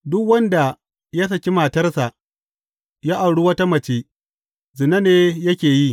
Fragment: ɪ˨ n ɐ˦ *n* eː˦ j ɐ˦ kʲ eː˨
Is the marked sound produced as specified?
yes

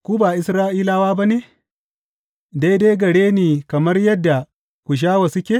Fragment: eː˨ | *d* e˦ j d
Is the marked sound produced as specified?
yes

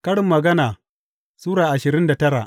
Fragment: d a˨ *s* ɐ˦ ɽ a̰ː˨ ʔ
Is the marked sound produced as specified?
no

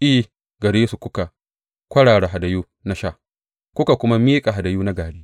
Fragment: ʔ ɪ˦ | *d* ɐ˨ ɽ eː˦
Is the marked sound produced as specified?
no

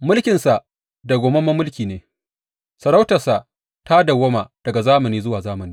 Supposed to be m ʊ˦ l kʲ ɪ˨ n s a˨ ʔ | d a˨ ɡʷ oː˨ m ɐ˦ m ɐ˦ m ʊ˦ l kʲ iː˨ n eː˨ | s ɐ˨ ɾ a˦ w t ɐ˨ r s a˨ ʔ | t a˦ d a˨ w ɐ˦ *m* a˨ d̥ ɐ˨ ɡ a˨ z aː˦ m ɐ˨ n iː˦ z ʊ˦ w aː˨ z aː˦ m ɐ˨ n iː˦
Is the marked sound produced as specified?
yes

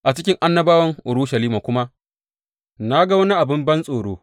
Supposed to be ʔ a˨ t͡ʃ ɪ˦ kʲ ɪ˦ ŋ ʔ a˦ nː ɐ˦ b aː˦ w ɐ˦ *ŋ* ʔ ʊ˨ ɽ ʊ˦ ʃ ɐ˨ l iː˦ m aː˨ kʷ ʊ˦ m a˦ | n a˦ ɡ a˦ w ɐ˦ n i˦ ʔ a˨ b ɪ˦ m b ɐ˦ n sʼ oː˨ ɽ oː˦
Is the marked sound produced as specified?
yes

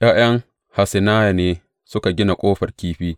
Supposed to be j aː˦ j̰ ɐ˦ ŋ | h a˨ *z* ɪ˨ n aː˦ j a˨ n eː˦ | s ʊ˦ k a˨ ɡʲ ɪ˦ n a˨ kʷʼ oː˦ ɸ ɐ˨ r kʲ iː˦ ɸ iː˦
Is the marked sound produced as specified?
no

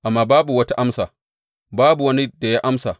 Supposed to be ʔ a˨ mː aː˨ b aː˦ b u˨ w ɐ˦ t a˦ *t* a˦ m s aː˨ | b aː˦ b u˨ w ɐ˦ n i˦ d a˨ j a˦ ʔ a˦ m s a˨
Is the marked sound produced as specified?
no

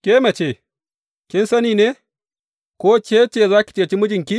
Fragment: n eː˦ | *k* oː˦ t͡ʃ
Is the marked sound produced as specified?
yes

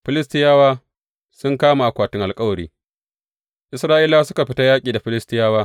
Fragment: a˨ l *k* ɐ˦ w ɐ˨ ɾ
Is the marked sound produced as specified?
no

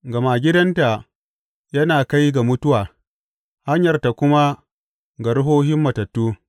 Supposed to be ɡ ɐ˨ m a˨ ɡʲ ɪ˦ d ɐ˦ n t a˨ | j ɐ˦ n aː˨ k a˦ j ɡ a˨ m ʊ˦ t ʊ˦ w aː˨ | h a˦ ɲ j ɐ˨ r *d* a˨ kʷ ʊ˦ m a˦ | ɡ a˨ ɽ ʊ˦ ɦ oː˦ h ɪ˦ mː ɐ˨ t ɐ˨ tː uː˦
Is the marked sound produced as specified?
no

